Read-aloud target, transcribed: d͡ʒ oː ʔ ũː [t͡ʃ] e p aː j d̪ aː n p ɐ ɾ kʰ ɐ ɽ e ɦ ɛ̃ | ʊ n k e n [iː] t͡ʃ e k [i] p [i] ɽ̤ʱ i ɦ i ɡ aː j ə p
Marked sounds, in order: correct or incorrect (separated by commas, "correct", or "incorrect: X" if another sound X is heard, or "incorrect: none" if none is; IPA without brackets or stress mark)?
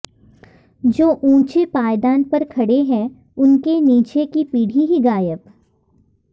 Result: correct, correct, correct, incorrect: iː